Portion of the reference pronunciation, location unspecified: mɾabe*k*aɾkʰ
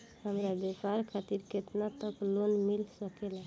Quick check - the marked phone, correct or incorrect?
incorrect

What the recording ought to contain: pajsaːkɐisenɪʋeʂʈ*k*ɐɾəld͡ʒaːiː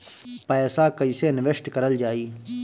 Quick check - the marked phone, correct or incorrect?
correct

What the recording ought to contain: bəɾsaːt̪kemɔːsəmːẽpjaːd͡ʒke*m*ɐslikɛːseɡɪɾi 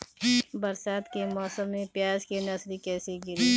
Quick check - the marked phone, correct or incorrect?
incorrect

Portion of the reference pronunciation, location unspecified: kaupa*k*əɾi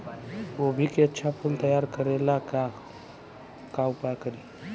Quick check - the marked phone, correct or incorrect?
correct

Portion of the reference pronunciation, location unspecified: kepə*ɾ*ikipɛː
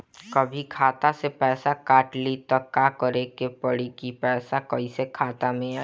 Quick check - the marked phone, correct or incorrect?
incorrect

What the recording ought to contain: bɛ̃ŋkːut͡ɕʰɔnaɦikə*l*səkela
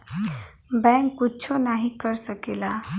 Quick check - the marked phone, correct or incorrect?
incorrect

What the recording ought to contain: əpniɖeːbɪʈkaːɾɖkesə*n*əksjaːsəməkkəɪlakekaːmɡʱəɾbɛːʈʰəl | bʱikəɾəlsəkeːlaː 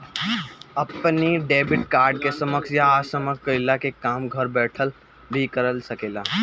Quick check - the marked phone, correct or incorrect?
incorrect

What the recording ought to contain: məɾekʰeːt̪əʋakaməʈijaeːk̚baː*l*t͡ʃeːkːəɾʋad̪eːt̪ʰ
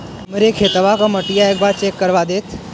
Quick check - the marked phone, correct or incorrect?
incorrect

